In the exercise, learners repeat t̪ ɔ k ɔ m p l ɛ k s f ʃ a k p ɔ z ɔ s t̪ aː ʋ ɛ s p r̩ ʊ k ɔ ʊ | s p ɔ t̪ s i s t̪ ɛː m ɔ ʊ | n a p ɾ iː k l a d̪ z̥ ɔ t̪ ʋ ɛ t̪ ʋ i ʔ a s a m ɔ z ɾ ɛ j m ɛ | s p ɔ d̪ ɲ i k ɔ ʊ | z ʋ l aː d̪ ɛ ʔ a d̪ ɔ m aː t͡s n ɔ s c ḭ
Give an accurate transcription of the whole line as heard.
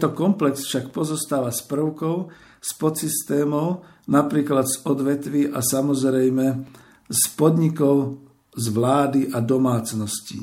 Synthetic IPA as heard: t̪ ɔ k ɔ m p l ɛ k s f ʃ a k p ɔ z ɔ s t̪ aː ʋ a s p r̩ ʊ k ɔ ʊ | s p ɔ t̪ s i s t̪ ɛː m ɔ ʊ | n a p ɾ iː k l a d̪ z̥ ɔ d̪ ʋ ɛ t̪ ʋ i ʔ a s a m ɔ z ɾ ɛ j m ɛ | s p ɔ d̪ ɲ i k ɔ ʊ | z ʋ l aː d̪ i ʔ a d̪ ɔ m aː t͡s n ɔ s c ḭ